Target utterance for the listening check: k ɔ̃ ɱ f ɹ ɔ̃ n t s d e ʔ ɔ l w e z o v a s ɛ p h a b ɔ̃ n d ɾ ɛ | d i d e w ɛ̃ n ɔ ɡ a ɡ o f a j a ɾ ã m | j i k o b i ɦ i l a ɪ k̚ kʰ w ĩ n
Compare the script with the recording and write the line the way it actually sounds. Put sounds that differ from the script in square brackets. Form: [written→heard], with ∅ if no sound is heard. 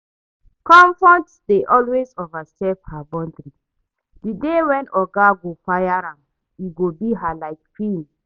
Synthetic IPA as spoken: k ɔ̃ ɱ f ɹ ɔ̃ n t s d e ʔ ɔ l w e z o v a s ɛ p h a b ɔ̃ n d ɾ [ɛ→i] | d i d e w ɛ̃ n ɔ ɡ a ɡ o f a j a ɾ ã m | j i [k→ɡ] o b i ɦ [i→a] l a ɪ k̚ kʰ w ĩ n